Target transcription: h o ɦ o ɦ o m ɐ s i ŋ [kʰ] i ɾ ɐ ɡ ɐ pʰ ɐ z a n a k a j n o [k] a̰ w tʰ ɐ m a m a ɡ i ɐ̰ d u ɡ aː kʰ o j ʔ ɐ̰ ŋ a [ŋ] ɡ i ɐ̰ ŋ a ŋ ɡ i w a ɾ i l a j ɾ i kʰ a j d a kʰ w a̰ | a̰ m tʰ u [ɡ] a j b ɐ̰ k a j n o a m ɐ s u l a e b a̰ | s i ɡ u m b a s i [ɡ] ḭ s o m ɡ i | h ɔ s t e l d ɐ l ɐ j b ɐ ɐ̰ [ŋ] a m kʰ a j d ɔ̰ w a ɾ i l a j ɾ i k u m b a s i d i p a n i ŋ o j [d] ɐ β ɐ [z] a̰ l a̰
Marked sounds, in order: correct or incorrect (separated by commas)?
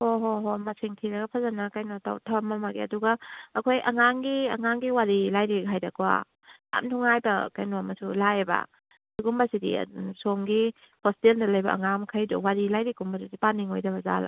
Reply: incorrect, incorrect, correct, incorrect, incorrect, correct, correct, correct